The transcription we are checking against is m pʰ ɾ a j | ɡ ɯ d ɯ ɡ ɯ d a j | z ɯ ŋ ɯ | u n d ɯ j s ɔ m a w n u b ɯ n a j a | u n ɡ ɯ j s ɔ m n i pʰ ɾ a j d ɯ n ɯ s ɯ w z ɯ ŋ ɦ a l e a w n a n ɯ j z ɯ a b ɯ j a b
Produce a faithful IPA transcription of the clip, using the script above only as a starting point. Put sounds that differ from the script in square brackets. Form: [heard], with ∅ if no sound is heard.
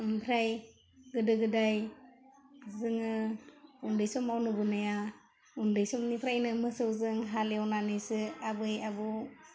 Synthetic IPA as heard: m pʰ ɾ a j | ɡ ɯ d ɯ ɡ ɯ d a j | z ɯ ŋ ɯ | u n d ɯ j s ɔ m a w n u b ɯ n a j a | u n [d] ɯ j s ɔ m n i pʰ ɾ a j [n] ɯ [m] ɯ s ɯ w z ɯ ŋ ɦ a l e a w n a n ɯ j [s] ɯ a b ɯ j a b

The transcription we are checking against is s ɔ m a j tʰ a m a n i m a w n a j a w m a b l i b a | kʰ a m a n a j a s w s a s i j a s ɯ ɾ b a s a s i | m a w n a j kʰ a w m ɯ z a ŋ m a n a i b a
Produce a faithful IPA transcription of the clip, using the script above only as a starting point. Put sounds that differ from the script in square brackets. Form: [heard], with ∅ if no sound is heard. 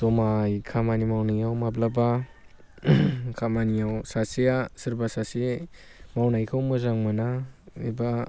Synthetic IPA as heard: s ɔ m a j [kʰ] a m a n i m a w n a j a w m a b l [a] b a | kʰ a m a n [i] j a [∅] w s a s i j a s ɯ ɾ b a s a s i | m a w n a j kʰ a w m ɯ z a ŋ m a n a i b a

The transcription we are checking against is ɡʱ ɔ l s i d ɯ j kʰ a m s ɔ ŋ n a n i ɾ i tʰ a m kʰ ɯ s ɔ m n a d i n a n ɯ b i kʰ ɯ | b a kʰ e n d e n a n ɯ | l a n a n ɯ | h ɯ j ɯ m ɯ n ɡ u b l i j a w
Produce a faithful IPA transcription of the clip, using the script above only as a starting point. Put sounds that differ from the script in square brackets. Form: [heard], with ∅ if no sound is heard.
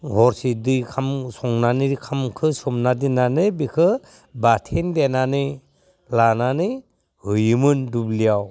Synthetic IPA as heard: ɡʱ ɔ [ɾ] s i d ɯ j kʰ a m s ɔ ŋ n a n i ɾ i [kʰ] a m kʰ ɯ s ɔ m n a d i n a n ɯ b i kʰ ɯ | b a [tʰ] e n d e n a n ɯ | l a n a n ɯ | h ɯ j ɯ m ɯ n [d] u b l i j a w

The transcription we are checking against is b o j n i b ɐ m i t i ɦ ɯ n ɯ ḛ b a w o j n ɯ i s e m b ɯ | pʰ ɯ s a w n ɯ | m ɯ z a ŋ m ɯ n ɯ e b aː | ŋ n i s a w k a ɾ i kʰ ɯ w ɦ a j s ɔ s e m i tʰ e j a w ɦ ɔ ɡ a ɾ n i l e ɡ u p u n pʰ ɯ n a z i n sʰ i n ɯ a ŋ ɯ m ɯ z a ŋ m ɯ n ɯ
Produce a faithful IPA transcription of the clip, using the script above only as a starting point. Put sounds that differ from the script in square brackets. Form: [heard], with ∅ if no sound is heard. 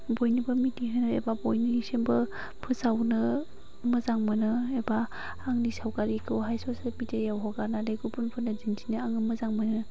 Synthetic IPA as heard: b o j n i b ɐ m i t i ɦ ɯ n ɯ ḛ b a [b] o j n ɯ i s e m b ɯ | pʰ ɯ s a w n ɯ | m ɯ z a ŋ m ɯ n ɯ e b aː | ŋ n i s a w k a ɾ i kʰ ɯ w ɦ a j s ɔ s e m i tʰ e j a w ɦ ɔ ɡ a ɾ n [a] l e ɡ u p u n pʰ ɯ n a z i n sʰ i n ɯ a ŋ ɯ m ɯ z a ŋ m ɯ n ɯ

